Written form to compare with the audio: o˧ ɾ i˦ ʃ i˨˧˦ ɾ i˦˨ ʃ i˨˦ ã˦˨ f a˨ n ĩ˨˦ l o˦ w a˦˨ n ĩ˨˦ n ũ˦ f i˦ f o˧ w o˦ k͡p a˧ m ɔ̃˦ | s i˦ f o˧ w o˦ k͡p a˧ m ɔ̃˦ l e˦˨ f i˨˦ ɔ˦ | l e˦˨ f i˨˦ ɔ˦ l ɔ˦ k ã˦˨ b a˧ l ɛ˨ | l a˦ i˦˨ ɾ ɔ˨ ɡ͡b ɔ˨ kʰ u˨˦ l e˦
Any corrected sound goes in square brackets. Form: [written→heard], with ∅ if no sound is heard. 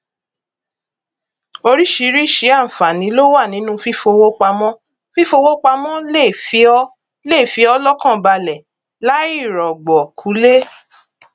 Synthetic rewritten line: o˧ ɾ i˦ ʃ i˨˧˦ ɾ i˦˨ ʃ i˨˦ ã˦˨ f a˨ n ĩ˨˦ l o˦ w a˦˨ n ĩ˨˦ n ũ˦ f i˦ f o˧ w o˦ k͡p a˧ m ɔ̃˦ | [s→f] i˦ f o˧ w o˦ k͡p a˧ m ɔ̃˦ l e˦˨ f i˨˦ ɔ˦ | l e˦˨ f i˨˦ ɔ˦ l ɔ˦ k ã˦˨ b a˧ l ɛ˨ | l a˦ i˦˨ ɾ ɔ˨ ɡ͡b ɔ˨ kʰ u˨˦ l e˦